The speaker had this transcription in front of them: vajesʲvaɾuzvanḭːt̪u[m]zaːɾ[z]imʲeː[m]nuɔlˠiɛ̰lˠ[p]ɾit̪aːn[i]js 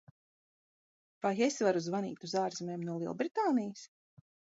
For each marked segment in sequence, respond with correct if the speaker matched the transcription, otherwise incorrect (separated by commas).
incorrect, correct, correct, incorrect, correct